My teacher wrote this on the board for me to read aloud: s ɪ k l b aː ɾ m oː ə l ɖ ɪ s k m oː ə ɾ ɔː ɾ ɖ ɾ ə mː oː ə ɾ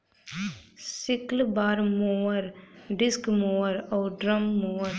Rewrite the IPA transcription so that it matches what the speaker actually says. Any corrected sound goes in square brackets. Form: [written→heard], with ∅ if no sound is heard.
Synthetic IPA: s ɪ k l b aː ɾ m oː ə [l→ɾ] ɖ ɪ s k m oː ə ɾ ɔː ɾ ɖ ɾ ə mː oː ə ɾ